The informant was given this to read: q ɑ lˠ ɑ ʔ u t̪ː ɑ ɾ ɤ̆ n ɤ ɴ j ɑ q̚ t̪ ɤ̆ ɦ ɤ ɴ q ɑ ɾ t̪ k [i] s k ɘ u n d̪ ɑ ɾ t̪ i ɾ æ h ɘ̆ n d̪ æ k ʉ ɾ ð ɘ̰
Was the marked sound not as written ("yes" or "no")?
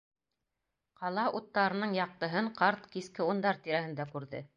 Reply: no